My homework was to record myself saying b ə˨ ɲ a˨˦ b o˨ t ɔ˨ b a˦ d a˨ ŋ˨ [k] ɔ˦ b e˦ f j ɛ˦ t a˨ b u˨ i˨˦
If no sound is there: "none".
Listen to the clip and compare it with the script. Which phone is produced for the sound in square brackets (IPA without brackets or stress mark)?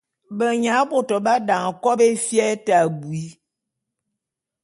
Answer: k